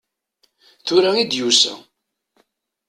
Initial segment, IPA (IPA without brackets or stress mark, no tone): θ